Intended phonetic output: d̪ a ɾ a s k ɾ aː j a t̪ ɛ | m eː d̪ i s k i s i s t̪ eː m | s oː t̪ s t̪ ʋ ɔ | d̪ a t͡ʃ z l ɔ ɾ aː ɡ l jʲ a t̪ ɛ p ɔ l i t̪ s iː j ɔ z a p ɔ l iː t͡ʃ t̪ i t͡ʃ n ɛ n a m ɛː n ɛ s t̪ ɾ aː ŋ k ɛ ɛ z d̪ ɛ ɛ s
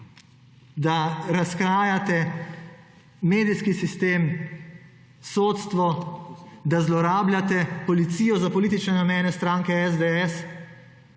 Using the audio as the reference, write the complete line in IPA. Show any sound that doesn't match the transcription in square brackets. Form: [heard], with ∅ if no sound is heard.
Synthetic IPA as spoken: d̪ a ɾ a s k ɾ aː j a t̪ ɛ | m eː d̪ i s k i s i s t̪ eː m | s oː t̪ s t̪ ʋ ɔ | d̪ a [∅] z l ɔ ɾ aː [b] l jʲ a t̪ ɛ p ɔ l i t̪ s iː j ɔ z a p ɔ l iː [∅] t̪ i t͡ʃ n ɛ n a m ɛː n ɛ s t̪ ɾ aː ŋ k ɛ ɛ z d̪ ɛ ɛ s